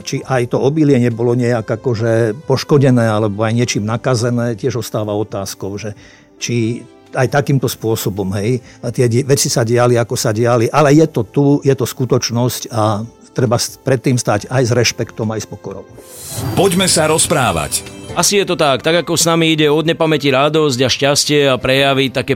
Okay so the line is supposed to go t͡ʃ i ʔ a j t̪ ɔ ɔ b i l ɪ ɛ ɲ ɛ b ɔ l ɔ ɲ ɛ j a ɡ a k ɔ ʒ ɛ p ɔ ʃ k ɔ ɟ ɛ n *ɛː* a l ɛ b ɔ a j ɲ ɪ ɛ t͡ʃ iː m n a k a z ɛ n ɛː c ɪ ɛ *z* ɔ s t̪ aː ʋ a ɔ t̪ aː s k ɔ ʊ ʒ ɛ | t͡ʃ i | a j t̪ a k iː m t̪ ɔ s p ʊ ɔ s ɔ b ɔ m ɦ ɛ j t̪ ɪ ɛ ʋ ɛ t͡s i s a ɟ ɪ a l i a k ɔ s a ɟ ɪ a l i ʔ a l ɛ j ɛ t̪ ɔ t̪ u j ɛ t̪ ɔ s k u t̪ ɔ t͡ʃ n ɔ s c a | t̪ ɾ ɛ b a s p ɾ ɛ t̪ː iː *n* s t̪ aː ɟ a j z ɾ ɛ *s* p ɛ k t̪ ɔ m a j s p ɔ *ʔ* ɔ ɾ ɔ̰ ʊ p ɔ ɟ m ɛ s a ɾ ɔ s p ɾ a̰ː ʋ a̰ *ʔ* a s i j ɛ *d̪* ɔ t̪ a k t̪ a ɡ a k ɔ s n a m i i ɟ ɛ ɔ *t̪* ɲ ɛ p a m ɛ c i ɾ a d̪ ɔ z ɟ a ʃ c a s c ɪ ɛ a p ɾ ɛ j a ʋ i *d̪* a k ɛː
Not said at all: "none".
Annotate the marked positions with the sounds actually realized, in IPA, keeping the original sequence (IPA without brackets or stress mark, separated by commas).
ɛː, ʒ, m, ʃ, k, c, t̪, d̪, t̪